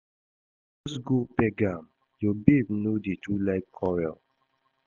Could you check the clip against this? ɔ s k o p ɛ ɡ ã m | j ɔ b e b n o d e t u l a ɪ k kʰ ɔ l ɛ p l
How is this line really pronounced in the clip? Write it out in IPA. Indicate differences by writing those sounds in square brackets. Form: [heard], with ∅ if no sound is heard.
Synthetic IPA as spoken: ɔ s [ɡ] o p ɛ ɡ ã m | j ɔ b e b n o d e t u l a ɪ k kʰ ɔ [ɹ] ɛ [∅] l